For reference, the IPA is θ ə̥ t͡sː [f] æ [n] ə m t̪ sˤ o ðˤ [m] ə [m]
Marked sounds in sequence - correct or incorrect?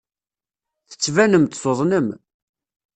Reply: incorrect: v, correct, incorrect: n, correct

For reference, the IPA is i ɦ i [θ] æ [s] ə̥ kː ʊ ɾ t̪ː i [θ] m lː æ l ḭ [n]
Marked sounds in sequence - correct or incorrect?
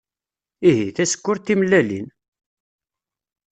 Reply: correct, correct, incorrect: none, correct

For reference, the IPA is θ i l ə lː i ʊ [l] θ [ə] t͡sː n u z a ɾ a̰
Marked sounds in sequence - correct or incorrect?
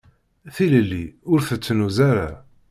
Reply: incorrect: ɾ, correct

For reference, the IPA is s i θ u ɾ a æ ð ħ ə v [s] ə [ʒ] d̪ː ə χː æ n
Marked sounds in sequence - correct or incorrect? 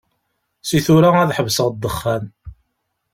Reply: correct, incorrect: ʁ

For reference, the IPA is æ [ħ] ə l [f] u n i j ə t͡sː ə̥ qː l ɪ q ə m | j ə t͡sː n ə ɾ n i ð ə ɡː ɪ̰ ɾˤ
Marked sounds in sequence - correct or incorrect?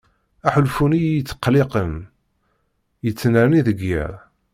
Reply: correct, correct

